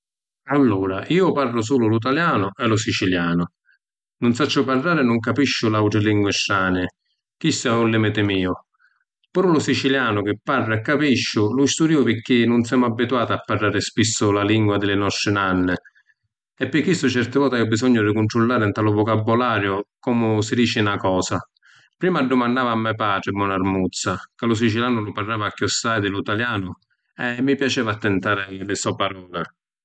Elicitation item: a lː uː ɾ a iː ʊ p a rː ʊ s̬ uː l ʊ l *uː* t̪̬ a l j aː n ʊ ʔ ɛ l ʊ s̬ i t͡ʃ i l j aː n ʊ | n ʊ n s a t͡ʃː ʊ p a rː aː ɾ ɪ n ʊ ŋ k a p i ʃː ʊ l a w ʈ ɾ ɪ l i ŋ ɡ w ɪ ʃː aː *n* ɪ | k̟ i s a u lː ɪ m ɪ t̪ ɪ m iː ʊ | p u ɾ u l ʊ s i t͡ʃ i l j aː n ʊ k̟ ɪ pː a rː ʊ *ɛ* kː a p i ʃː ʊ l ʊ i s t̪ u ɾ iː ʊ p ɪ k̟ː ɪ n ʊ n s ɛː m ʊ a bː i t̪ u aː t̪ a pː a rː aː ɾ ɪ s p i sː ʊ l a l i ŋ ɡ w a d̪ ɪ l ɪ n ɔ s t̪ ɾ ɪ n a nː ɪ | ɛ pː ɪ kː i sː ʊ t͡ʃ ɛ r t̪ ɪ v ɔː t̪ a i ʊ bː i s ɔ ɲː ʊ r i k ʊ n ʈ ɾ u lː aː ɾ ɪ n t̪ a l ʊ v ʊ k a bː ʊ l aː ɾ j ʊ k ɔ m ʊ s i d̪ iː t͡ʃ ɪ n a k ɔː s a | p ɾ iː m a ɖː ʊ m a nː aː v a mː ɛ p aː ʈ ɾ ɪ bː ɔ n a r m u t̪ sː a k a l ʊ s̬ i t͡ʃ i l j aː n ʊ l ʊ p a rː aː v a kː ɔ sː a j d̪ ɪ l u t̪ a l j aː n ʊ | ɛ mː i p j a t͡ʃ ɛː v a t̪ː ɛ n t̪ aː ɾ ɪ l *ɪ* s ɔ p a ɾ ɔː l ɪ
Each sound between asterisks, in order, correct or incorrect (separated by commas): incorrect, correct, correct, correct